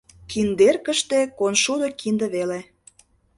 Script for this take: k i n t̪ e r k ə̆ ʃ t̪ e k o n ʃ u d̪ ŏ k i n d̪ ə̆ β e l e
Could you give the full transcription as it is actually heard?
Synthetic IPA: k i n d̪ e r k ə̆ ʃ t̪ e k o n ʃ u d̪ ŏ k i n d̪ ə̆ β e l e